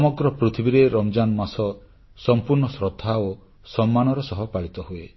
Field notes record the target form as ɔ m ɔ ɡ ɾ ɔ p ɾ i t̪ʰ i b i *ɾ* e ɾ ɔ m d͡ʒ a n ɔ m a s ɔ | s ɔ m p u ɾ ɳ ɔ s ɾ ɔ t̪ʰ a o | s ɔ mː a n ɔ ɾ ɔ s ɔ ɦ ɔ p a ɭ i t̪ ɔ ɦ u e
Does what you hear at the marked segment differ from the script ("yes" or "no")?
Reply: no